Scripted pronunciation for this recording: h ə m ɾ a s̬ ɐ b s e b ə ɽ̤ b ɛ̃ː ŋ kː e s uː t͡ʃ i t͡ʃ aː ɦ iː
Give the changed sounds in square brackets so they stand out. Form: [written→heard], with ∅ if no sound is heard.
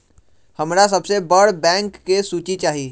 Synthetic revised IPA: h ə m ɾ a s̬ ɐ b s e b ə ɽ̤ b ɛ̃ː ŋ kː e s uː t͡ʃ i t͡ʃ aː ɦ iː

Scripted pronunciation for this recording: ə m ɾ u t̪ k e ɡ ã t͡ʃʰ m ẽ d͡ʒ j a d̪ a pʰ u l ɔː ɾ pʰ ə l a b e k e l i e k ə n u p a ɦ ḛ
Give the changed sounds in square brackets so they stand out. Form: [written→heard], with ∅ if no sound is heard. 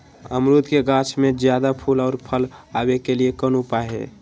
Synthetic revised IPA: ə m ɾ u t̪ k e ɡ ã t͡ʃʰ m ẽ d͡ʒ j a d̪ a pʰ u l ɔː ɾ pʰ ə l a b e k e l i e k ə n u p a ɦ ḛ

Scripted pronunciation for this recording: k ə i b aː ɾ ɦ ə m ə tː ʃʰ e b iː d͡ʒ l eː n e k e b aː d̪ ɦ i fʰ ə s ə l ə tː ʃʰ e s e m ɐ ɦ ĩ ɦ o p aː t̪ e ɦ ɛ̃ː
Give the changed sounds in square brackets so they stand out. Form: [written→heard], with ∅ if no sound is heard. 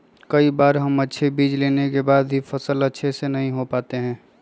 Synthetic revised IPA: k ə i b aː ɾ ɦ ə m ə tː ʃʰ e b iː d͡ʒ l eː n e k e b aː d̪ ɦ i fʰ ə s ə l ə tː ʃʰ e s e [m→n] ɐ ɦ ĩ ɦ o p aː t̪ e ɦ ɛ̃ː

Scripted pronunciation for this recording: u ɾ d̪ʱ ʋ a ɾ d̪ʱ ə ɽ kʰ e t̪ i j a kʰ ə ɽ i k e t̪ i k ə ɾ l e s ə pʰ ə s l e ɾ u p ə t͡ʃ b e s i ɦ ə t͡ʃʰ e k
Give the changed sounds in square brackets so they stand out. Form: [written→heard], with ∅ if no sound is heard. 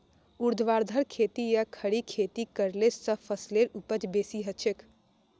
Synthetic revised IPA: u ɾ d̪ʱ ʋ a ɾ d̪ʱ ə [ɽ→ɾ] kʰ e t̪ i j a kʰ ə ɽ i [k→kʰ] e t̪ i k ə ɾ l e s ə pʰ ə s l e ɾ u p ə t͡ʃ b e s i ɦ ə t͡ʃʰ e k

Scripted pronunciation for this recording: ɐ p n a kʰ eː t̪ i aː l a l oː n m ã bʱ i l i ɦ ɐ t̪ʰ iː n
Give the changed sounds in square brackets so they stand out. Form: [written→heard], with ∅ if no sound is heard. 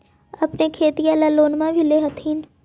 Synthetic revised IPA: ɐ p n [a→e] kʰ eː t̪ i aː l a l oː n m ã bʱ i l [i→e] ɦ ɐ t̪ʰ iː n

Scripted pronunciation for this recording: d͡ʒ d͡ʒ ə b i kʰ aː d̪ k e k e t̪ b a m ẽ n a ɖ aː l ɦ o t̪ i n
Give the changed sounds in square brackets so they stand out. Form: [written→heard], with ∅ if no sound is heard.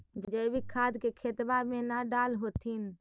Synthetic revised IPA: d͡ʒ d͡ʒ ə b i kʰ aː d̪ k e [k→kʰ] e t̪ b a m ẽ n a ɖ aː l ɦ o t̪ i n

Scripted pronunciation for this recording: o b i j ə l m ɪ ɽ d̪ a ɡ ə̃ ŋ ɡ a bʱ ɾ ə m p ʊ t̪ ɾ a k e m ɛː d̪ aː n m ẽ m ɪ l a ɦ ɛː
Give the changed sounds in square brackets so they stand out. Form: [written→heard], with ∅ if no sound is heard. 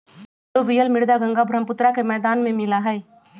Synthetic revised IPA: o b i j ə l m ɪ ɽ d̪ a ɡ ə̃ ŋ ɡ a bʱ ɾ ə m p ʊ t̪ ɾ a k e m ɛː d̪ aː n m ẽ m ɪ l a ɦ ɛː

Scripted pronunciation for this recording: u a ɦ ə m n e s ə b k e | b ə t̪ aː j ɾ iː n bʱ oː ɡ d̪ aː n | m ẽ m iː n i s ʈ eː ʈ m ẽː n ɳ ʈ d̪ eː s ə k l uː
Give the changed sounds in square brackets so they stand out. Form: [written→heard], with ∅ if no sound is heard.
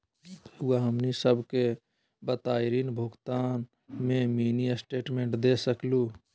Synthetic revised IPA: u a ɦ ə m n [e→i] s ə b k e | b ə t̪ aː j ɾ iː n bʱ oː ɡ [d̪→t̪] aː n | m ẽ m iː n i s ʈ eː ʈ m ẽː [n→∅] ɳ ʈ d̪ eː s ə k l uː

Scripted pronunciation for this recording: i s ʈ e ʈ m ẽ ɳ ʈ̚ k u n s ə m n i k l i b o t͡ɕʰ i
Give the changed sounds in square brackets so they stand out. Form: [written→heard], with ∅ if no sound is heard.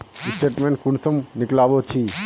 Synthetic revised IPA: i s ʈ e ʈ m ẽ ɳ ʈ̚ k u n s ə m n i k l [i→a] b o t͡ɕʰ i

